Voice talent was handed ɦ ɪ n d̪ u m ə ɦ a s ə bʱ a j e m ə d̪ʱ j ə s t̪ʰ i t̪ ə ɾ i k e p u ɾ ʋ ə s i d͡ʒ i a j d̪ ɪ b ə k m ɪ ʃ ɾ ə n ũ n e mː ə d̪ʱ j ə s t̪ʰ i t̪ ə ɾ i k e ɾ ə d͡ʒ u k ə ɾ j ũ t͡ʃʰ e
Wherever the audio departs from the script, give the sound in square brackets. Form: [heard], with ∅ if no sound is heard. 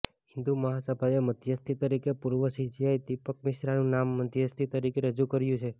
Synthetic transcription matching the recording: ɦ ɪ n d̪ u m ə ɦ a s ə bʱ a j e m ə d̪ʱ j ə s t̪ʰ i t̪ ə ɾ i k e p u ɾ ʋ ə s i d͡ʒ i a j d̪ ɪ [p] ə k m ɪ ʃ ɾ [a] n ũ n [a] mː ə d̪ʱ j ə s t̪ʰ i t̪ ə ɾ i k e ɾ ə d͡ʒ u k ə ɾ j ũ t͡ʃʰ e

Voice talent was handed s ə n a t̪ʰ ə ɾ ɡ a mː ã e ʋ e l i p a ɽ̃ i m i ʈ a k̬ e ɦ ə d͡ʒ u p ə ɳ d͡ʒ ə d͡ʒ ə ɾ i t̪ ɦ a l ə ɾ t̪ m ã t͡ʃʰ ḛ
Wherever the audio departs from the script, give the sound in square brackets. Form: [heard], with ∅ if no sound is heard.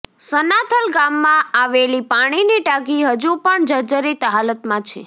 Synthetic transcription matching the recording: s ə n a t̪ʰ ə [l] ɡ a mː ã [a] ʋ e l i p a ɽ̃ i [n] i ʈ a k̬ [i] ɦ ə d͡ʒ u p ə ɳ d͡ʒ ə d͡ʒ ə ɾ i t̪ ɦ a l ə [∅] t̪ m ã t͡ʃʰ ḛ

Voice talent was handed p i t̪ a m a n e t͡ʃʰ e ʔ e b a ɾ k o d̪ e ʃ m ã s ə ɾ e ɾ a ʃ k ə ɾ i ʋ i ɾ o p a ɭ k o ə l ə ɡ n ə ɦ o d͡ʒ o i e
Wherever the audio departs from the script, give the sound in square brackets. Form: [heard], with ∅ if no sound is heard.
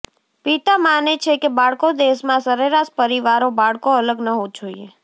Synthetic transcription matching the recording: p i t̪ a m a n e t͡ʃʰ e [k] e b a [ɭ] k o d̪ e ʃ m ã s ə ɾ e ɾ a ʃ [p] ə ɾ i ʋ [a] ɾ o [b] a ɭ k o ə l ə ɡ n ə ɦ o d͡ʒ o i e

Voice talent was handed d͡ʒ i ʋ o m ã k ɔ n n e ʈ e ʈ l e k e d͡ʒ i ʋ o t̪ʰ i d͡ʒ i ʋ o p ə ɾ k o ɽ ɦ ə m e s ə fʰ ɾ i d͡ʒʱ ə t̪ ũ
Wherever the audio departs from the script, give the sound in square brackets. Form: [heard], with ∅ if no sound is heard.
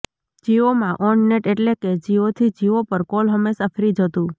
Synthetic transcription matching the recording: d͡ʒ i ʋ o m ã [ʔ] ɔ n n e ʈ e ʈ l e k e d͡ʒ i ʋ o t̪ʰ i d͡ʒ i ʋ o p ə ɾ k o [l] ɦ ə m e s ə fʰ ɾ i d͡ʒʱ ə t̪ ũ

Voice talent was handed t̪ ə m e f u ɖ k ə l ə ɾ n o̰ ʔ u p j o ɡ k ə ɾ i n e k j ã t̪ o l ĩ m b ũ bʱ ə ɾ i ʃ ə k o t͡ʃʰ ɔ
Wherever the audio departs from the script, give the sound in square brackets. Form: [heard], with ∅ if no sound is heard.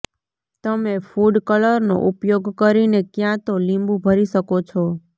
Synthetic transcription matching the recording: t̪ ə m e f u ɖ k ə l ə ɾ n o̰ ʔ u p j o ɡ k ə ɾ i n e k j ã t̪ o l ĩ m b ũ bʱ ə ɾ i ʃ ə k o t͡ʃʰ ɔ

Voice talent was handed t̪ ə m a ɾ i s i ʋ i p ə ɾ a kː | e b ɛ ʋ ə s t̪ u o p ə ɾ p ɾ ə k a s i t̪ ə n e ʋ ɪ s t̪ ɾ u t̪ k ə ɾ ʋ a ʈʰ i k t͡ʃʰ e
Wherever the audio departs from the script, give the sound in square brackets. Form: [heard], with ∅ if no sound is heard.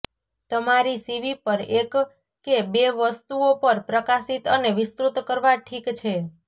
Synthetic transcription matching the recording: t̪ ə m a ɾ i s i ʋ i p ə ɾ [e] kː | e b [e] ʋ ə s t̪ u o p ə ɾ p ɾ ə k a s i t̪ ə n e ʋ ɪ s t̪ ɾ u t̪ k ə ɾ ʋ a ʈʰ i k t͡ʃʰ e

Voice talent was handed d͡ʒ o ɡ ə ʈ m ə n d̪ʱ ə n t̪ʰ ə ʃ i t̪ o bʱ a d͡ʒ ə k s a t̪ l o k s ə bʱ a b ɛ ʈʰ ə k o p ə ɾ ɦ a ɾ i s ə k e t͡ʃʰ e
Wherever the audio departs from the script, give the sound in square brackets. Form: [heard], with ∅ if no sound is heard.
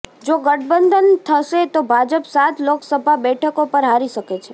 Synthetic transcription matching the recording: d͡ʒ o ɡ ə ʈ [b] ə n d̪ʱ ə n t̪ʰ ə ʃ [e] t̪ o bʱ a d͡ʒ ə [p] s a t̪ l o k s ə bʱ a b ɛ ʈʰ ə k o p ə ɾ ɦ a ɾ i [ʃ] ə k e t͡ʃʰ e

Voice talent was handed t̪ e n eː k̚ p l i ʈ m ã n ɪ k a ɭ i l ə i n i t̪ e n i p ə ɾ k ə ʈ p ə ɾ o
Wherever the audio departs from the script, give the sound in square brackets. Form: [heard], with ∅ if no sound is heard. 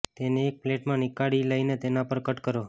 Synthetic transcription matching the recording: t̪ e n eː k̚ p l [e] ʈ m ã n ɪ k a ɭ i l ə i n [e] t̪ e n [a] p ə ɾ k ə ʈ [k] ə ɾ o

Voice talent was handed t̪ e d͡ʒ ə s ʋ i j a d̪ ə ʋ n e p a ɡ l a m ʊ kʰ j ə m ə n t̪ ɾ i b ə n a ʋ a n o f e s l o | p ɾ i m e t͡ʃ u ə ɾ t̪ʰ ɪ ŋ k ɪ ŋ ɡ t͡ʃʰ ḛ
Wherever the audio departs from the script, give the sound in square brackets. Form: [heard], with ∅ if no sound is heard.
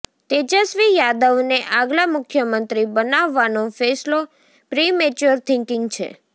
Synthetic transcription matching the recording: t̪ e d͡ʒ ə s ʋ i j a d̪ ə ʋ n e [ʔ] a ɡ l a m ʊ kʰ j ə m ə n t̪ ɾ i b ə n a [ʋː] a n o f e s l o | p ɾ i m e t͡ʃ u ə ɾ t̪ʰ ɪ ŋ k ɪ ŋ ɡ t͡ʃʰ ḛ

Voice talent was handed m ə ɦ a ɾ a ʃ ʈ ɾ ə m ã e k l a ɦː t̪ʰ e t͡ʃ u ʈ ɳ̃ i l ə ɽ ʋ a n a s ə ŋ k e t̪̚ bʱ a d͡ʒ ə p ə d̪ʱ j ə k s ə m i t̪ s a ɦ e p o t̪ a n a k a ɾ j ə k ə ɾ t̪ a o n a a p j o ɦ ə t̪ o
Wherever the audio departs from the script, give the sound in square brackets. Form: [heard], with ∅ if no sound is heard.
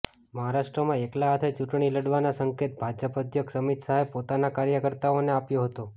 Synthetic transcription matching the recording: m ə ɦ a ɾ a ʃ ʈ ɾ ə m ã e k l a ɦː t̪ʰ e t͡ʃ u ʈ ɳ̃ i l ə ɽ ʋ a n a s ə ŋ k e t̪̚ bʱ a d͡ʒ ə p ə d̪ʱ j ə k s ə m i t̪ s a ɦ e p o t̪ a n a k a ɾ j ə k ə ɾ t̪ a o n [e] a p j o ɦ ə t̪ o

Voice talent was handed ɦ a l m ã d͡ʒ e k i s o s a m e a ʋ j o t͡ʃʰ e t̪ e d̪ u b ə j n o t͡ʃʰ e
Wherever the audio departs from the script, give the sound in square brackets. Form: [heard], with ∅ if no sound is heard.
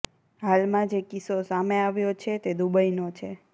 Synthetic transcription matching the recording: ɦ a l m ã d͡ʒ e k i s o s a m e a ʋ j o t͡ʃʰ e t̪ e d̪ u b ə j n o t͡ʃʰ e

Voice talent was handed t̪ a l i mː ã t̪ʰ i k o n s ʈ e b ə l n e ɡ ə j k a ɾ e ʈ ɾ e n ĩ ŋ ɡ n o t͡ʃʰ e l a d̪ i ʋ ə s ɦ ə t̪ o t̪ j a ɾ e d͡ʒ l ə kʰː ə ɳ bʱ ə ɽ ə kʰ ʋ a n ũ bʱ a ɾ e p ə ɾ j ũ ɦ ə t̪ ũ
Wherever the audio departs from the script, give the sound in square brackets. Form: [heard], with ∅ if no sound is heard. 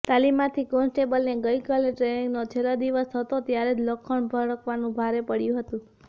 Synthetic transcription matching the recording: t̪ a l i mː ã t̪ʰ i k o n s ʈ e b ə l n e ɡ ə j k a [l] e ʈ ɾ e n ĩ ŋ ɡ n o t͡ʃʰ e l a d̪ i ʋ ə s ɦ ə t̪ o t̪ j a ɾ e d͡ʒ l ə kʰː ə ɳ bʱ ə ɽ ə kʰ ʋ a n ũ bʱ a ɾ e p ə [ɽ] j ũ ɦ ə t̪ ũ

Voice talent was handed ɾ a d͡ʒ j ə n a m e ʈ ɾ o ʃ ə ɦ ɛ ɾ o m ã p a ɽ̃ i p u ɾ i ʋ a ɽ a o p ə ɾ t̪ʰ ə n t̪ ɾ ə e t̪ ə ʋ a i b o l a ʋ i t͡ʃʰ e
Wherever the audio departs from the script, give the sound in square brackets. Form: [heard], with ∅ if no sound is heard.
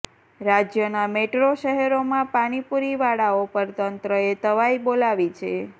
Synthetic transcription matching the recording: ɾ a d͡ʒ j ə n a m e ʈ ɾ o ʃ ə ɦ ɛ ɾ o m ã p a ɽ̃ i p u ɾ i ʋ a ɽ a o p ə ɾ [t̪] ə n t̪ ɾ ə e t̪ ə ʋ a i b o l a ʋ i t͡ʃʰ e

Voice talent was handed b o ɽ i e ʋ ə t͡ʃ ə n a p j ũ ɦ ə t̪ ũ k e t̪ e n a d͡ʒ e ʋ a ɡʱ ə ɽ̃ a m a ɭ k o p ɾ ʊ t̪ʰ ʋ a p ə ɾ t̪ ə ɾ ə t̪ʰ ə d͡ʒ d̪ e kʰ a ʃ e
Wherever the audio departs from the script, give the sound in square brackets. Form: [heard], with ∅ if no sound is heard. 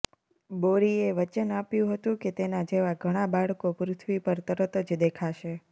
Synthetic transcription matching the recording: b o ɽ i e ʋ ə t͡ʃ ə n a p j ũ ɦ ə t̪ ũ k e t̪ e n a d͡ʒ e ʋ a ɡʱ ə ɽ̃ a [b] a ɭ k o p ɾ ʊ t̪ʰ ʋ [i] p ə ɾ t̪ ə ɾ ə [t̪] ə d͡ʒ d̪ e kʰ a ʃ e

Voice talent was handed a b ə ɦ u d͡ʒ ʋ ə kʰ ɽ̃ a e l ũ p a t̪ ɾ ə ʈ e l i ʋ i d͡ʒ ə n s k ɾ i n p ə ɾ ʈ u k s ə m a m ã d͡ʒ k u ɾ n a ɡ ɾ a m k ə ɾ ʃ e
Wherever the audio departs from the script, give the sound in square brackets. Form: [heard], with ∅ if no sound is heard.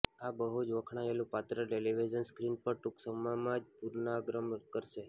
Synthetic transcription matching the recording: a b ə ɦ u d͡ʒ ʋ ə kʰ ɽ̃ a e l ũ p a t̪ ɾ ə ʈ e l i ʋ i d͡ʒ ə n s k ɾ i n p ə ɾ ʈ u k s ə m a m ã d͡ʒ [p] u ɾ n a ɡ ɾ [ə] m k ə ɾ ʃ e

